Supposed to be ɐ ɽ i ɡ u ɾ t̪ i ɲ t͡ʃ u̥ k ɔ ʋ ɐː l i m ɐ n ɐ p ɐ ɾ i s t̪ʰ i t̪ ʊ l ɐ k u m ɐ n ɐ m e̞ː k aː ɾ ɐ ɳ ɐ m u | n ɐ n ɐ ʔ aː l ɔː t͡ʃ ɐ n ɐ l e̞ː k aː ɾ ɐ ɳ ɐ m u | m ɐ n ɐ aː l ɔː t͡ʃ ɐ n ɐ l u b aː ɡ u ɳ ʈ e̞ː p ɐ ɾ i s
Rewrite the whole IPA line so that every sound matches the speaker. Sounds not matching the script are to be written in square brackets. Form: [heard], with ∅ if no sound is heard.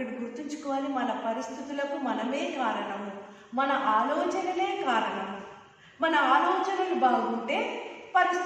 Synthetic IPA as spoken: ɐ ɽ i ɡ u ɾ t̪ i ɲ t͡ʃ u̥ k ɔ ʋ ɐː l i m ɐ n ɐ p ɐ ɾ i s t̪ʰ i t̪ [u] l ɐ k u m ɐ n ɐ m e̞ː k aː ɾ ɐ ɳ ɐ m u | [m] ɐ n ɐ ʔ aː l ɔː t͡ʃ ɐ n ɐ l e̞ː k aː ɾ ɐ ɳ ɐ m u | m ɐ n ɐ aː l ɔː t͡ʃ ɐ n ɐ l u b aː ɡ u ɳ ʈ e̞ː p ɐ ɾ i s